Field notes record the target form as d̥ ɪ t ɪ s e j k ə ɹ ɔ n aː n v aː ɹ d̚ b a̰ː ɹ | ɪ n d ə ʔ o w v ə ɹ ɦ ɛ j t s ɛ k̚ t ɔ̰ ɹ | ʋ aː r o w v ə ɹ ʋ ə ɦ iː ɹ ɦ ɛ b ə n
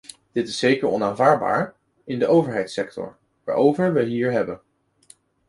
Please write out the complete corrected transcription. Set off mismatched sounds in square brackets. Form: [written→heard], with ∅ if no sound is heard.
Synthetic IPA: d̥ ɪ t ɪ s e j k ə ɹ ɔ n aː n v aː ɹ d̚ b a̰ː ɹ | ɪ n d ə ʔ o w v ə ɹ ɦ ɛ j t s ɛ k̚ t ɔ̰ ɹ | ʋ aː [r→ɹ] o w v ə ɹ ʋ ə ɦ iː ɹ ɦ ɛ b ə n

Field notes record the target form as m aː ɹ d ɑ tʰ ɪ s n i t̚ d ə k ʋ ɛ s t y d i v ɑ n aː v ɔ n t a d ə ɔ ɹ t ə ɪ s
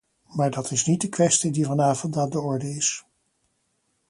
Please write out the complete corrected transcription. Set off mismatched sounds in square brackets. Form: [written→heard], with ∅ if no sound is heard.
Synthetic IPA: m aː ɹ d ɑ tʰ ɪ s n i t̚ d ə k ʋ ɛ s t [y→i] d i v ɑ n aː v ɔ n t a d ə ɔ ɹ [t→d] ə ɪ s

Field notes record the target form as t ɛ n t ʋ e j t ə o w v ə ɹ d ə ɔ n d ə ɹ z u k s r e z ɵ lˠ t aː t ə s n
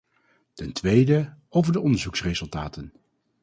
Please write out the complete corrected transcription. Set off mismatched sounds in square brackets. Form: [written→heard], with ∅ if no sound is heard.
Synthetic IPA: t ɛ n t ʋ e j [t→d] ə o w v ə ɹ d ə ɔ n d ə ɹ z u k s r e z ɵ lˠ t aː t ə [s→∅] n

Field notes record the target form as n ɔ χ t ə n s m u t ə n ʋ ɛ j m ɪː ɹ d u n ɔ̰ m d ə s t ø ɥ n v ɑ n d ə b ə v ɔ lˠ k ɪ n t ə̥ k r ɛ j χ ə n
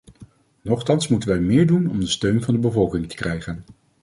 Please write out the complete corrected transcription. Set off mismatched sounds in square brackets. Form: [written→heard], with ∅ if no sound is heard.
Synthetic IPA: n ɔ χ t [ə→ɑ] n s m u t ə n ʋ ɛ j m ɪː ɹ d u n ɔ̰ m d ə s t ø ɥ n v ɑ n d ə b ə v ɔ lˠ k ɪ [n→ŋ] t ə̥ k r ɛ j χ ə n

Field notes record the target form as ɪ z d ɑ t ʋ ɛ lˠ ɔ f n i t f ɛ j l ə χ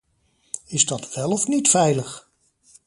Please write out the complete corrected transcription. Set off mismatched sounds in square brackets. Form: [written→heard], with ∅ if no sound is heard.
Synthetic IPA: ɪ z d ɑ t ʋ ɛ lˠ ɔ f n i t f ɛ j l ə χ

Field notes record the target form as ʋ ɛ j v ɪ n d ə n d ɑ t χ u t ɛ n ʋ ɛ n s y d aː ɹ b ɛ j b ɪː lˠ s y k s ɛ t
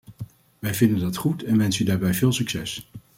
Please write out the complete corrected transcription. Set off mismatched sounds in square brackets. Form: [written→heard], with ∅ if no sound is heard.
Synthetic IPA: ʋ ɛ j v ɪ n d ə n d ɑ t χ u t ɛ n ʋ ɛ n s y d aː ɹ b ɛ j [b→v] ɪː lˠ s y k s ɛ [t→s]

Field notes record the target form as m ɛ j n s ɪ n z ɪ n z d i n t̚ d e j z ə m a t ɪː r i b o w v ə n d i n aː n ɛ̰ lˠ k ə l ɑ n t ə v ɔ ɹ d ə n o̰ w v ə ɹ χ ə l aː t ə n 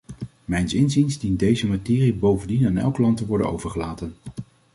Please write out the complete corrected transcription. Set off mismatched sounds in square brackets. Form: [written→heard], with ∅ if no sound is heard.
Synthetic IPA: m ɛ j n s ɪ n z [ɪ→i] n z d i n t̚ d e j z ə m a t ɪː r i b o w v ə n d i n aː n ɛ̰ lˠ k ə l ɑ n t ə [v→ʋ] ɔ ɹ d ə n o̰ w v ə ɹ χ ə l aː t ə n

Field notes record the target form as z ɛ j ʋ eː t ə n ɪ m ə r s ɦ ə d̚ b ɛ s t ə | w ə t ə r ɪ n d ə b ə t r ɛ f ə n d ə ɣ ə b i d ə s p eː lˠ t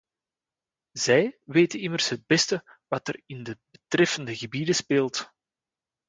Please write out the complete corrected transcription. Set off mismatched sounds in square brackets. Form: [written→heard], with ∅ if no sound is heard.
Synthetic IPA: z ɛ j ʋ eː t ə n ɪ m ə r s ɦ ə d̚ b ɛ s t ə | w [ə→ɑ] t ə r ɪ n d ə b ə t r ɛ f ə n d ə ɣ ə b i d ə s p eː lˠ t

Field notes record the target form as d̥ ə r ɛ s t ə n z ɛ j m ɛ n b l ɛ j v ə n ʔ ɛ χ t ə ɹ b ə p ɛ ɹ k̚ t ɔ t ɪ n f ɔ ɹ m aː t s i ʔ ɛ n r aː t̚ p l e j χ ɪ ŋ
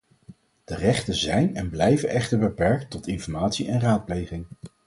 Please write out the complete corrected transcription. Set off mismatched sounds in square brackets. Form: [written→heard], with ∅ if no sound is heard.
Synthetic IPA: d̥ ə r ɛ [s→χ] t ə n z ɛ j [m→n] ɛ n b l ɛ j v ə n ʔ ɛ χ t ə ɹ b ə p ɛ ɹ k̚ t ɔ t ɪ n f ɔ ɹ m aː t s i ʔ ɛ n r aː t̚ p l e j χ ɪ ŋ

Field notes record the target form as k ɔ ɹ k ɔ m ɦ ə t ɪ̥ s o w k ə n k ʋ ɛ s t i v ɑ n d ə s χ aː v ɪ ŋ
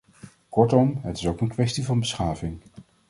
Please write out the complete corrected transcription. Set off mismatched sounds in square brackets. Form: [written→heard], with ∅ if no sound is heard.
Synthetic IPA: k ɔ ɹ [k→t] ɔ m ɦ ə t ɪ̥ s o w k ə n k ʋ ɛ s t i v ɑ n [d→b] ə s χ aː v ɪ ŋ

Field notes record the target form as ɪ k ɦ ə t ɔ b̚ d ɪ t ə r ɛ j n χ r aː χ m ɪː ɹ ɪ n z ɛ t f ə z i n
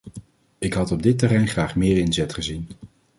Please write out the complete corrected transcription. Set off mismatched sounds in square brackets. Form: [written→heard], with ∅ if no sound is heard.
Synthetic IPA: ɪ k ɦ [ə→ɑ] t ɔ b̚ d ɪ t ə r ɛ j n χ r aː χ m ɪː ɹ ɪ n z ɛ t [f→χ] ə z i n

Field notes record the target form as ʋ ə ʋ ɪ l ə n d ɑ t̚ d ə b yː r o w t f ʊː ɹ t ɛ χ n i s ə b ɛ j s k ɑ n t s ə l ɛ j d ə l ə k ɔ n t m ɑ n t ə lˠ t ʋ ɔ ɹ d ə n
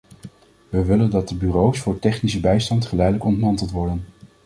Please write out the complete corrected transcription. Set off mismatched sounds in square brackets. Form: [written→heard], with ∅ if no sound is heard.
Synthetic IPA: ʋ ə ʋ ɪ l ə n d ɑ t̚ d ə b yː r o w [t→s] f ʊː ɹ t ɛ χ n i s ə b ɛ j s [k→t] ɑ n t [s→χ] ə l ɛ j d ə l ə k ɔ n t m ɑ n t ə lˠ t ʋ ɔ ɹ d ə n

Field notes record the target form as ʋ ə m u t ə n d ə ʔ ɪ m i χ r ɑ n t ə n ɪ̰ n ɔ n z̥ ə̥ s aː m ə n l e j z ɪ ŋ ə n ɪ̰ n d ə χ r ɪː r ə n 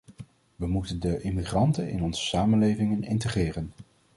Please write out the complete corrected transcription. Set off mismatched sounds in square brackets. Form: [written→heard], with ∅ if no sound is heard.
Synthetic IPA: ʋ ə m u t ə n d ə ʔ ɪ m i χ r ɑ n t ə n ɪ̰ n ɔ n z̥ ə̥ s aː m ə n l e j [z→v] ɪ ŋ ə n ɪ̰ n [d→t] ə χ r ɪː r ə n

